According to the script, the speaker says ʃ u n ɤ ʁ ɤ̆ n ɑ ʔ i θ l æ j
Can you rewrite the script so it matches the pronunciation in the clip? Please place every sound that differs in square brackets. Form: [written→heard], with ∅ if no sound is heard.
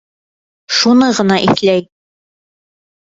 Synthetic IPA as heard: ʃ u n ɤ ʁ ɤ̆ n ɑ ʔ i θ l æ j